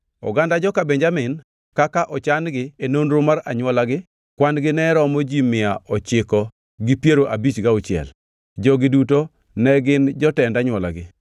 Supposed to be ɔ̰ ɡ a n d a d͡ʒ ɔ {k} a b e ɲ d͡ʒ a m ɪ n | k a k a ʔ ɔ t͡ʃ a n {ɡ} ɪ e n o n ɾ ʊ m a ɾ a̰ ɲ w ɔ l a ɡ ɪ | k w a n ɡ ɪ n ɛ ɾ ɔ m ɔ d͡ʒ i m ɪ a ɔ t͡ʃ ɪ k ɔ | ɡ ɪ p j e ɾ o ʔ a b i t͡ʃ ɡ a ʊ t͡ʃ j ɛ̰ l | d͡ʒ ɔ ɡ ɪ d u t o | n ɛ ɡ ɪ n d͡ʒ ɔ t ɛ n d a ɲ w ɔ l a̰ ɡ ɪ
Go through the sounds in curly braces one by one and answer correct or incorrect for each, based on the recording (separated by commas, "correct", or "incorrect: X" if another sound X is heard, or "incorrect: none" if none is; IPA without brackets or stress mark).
correct, correct